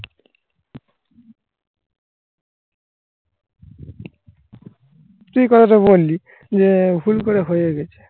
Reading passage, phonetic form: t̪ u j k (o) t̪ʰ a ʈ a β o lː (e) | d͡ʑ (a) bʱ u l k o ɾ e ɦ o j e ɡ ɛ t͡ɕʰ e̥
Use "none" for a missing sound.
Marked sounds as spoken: ɔ, i, e

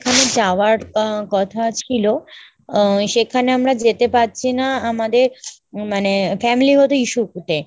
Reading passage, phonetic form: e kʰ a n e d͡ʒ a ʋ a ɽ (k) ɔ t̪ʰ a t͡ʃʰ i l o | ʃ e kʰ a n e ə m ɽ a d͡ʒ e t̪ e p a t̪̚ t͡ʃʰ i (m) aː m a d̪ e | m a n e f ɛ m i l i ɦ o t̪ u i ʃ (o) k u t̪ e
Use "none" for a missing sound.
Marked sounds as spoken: k, n, u

